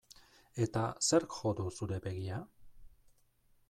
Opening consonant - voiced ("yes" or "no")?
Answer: no